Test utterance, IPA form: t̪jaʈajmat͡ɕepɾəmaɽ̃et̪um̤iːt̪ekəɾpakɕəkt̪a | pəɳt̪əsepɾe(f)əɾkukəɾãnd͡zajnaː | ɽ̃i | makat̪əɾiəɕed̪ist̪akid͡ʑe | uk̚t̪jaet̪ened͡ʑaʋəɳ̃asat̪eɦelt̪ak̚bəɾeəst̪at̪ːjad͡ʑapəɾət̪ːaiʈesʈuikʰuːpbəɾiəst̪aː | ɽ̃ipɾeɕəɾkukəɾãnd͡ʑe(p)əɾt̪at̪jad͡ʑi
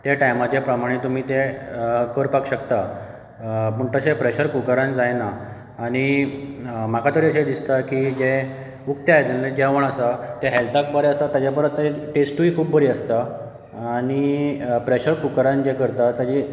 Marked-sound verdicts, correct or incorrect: incorrect, incorrect

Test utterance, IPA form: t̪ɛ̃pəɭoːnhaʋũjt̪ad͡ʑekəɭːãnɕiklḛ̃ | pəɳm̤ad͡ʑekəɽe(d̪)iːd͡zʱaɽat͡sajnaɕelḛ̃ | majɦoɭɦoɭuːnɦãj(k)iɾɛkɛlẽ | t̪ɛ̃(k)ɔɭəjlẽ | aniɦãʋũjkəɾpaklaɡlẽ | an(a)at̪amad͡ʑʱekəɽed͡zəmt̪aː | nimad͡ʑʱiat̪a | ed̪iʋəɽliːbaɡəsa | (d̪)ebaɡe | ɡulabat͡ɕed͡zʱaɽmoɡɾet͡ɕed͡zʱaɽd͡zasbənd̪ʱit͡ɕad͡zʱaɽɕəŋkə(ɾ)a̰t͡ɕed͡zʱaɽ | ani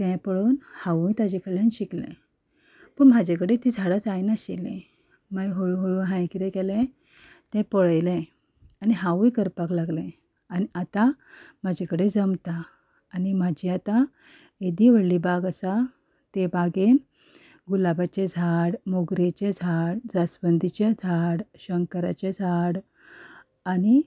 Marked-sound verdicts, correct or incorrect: incorrect, correct, incorrect, incorrect, incorrect, correct

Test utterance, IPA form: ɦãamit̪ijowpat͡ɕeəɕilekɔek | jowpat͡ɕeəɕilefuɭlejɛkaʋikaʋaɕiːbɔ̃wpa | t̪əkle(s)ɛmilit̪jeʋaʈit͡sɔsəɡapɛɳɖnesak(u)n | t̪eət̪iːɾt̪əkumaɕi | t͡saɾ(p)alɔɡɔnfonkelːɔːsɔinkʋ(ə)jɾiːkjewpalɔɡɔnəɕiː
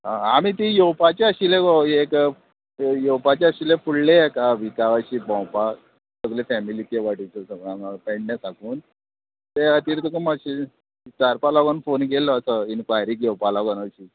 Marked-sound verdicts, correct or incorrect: incorrect, incorrect, correct, incorrect

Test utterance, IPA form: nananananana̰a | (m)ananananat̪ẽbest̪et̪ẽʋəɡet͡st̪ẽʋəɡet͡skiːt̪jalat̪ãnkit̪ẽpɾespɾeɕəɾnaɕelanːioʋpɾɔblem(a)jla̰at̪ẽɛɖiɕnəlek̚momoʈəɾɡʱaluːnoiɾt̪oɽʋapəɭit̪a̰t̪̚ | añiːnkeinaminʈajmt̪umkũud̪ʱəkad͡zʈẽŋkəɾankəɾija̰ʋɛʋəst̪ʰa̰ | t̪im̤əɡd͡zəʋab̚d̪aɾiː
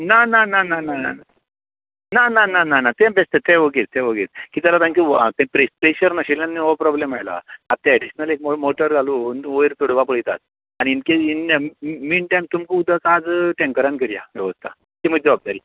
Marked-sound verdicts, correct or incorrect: incorrect, correct

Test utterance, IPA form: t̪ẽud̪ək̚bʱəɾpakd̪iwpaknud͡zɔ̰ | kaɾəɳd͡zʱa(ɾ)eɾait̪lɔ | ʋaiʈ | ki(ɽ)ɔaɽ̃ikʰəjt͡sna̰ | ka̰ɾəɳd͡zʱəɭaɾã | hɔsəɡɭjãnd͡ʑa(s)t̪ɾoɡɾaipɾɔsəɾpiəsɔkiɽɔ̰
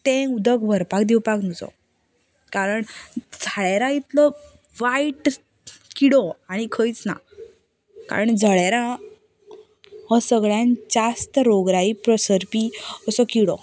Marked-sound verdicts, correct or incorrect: incorrect, correct, correct

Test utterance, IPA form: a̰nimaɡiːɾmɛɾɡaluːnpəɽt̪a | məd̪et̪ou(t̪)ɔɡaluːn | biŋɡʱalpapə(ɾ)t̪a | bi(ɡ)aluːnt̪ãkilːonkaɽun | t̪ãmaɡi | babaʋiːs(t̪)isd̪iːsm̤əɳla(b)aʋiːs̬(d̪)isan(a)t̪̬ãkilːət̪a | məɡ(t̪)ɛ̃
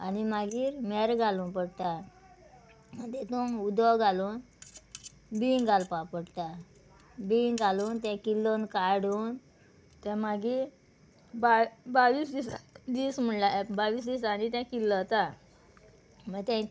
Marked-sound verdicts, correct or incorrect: incorrect, incorrect, correct, incorrect, correct, correct, incorrect, correct

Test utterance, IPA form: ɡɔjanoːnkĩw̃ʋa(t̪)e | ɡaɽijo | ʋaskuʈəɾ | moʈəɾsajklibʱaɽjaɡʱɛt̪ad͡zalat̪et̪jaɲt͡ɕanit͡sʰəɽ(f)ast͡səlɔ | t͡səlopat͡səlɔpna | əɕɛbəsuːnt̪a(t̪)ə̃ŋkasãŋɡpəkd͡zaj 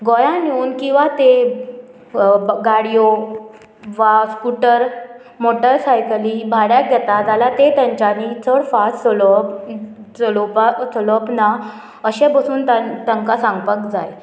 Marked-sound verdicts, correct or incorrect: correct, correct, correct

